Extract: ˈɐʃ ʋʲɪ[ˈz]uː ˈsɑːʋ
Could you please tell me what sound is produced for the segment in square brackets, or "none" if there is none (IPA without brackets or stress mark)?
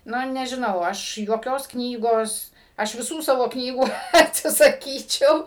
s